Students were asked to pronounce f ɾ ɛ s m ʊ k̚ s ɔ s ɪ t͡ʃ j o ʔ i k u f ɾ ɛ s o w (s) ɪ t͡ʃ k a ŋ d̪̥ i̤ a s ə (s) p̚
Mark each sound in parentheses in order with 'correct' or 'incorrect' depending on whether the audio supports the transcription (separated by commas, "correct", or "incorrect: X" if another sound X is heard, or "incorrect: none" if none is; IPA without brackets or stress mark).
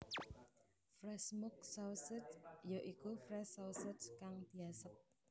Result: correct, incorrect: none